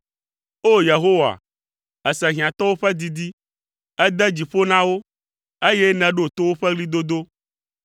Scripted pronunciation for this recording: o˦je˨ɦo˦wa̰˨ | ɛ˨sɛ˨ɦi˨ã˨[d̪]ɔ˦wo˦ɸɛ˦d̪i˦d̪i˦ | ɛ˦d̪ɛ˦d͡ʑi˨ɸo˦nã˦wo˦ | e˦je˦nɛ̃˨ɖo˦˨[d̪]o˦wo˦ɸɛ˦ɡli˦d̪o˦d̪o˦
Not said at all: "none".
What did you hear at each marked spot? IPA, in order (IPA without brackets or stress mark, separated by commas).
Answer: t̪, t̪